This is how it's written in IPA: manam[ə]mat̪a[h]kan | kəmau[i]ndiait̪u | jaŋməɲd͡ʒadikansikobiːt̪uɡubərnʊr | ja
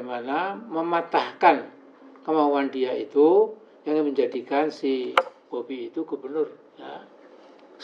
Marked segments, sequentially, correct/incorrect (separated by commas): correct, correct, incorrect